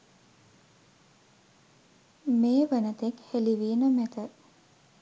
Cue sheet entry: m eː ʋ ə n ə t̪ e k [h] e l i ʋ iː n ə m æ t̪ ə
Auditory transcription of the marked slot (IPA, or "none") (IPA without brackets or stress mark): h